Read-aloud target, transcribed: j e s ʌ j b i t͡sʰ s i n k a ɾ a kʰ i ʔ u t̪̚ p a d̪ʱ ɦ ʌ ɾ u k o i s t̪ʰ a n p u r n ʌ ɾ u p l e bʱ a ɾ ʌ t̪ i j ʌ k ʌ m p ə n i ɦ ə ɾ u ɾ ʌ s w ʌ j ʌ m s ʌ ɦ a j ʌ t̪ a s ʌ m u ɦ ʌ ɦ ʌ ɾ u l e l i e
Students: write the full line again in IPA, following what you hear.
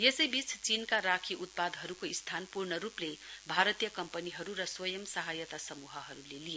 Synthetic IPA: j e s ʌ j b i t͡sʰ t͡s i n k a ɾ a kʰ i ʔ u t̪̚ p a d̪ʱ ɦ ʌ ɾ u k o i s t̪ʰ a n p u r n ʌ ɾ u p l e bʱ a ɾ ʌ t̪ i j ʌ k ʌ m p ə n i ɦ ʌ ɾ u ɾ ʌ s w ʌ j ʌ m s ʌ ɦ a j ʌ t̪ a s ʌ m u ɦ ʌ ɦ ʌ ɾ u l e l i e

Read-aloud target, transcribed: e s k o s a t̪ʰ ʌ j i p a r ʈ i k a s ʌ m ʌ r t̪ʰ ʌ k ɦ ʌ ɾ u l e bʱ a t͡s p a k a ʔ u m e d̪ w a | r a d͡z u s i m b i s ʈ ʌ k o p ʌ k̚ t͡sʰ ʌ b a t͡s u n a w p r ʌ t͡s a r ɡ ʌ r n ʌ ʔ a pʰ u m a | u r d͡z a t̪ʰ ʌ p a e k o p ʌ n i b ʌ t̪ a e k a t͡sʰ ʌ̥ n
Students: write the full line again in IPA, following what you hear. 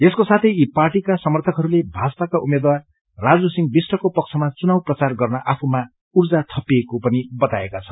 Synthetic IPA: e s k o s a t̪ʰ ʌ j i p a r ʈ i k a s ʌ m ʌ r t̪ʰ ʌ k ɦ ʌ ɾ u l e bʱ a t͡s p a k a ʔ u m e d̪ w a | r a d͡z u s i ŋ b i s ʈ ʌ k o p ʌ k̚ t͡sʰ ʌ m a t͡s u n a w p r ʌ t͡s a r ɡ ʌ r n ʌ ʔ a pʰ u m a | u r d͡z a t̪ʰ ʌ p i e k o p ʌ n i b ʌ t̪ a e k a t͡sʰ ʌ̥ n

